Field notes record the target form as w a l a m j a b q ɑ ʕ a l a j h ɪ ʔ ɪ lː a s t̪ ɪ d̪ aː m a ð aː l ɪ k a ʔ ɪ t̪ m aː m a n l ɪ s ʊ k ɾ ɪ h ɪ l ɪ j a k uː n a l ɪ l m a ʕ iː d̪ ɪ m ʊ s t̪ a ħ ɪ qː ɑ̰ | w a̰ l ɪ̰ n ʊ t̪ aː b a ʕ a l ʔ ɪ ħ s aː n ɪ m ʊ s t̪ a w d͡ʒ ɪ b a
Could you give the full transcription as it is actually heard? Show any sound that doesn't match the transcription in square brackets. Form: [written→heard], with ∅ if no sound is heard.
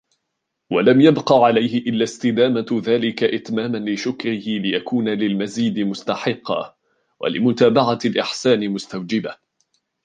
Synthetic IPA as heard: w a l a m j a b q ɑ ʕ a l a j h ɪ ʔ ɪ lː a s t̪ ɪ d̪ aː m a ð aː l ɪ k a ʔ ɪ t̪ m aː m a n l ɪ [s→ʃ] ʊ k ɾ ɪ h ɪ l ɪ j a k uː n a l ɪ l m a [ʕ→z] iː d̪ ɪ m ʊ s t̪ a ħ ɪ qː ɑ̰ | w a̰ l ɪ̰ [n→m] ʊ t̪ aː b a ʕ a l ʔ ɪ ħ s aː n ɪ m ʊ s t̪ a w d͡ʒ ɪ b a